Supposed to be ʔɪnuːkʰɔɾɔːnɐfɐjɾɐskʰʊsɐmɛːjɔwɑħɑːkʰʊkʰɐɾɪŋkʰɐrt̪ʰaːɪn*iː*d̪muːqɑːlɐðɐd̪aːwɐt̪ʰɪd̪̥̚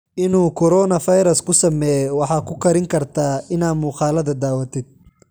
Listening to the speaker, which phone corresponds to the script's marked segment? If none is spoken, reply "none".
aː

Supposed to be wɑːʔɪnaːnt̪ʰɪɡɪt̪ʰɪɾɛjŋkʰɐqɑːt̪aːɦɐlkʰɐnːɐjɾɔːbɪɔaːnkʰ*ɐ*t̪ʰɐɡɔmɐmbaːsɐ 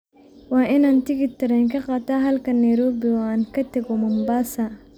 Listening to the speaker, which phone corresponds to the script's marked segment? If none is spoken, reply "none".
ɐ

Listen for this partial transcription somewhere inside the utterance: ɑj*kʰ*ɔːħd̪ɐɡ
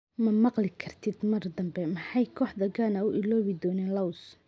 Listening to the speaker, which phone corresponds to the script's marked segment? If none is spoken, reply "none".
kʰ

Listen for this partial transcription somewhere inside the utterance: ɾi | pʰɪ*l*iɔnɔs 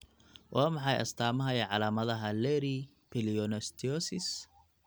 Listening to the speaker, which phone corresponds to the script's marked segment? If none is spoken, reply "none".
l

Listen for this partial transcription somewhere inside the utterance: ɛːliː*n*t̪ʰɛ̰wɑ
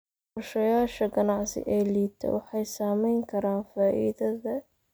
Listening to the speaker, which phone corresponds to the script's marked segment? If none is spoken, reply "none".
none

